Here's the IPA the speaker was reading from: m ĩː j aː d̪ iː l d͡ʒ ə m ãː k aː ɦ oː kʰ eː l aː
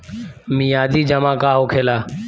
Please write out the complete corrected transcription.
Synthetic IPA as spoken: m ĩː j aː d̪ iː d͡ʒ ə m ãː k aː ɦ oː kʰ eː l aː